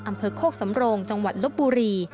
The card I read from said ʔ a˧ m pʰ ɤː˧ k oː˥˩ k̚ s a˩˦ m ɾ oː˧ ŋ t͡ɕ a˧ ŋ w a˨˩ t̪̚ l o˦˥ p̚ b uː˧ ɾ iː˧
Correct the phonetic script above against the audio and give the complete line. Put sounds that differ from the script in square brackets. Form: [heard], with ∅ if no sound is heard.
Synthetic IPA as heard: ʔ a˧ m pʰ ɤː˧ [kʰ] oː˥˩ k̚ s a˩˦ m ɾ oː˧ ŋ t͡ɕ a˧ ŋ w a˨˩ t̪̚ l o˦˥ p̚ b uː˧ ɾ iː˧